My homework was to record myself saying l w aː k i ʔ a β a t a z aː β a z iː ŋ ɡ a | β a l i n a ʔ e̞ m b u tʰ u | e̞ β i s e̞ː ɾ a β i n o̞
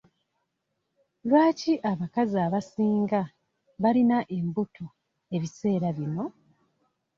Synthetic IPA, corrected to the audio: l w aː c i ʔ a β a k a z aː β a s iː ŋ ɡ a | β a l i n a ʔ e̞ m b u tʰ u | e̞ β i s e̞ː ɾ a β i n o̞